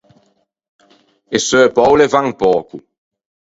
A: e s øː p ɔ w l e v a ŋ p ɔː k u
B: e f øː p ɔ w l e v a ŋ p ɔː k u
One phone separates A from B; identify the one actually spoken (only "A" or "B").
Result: A